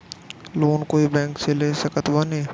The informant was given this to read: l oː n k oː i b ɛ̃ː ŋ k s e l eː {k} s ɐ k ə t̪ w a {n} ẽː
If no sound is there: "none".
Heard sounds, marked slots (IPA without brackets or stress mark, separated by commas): none, n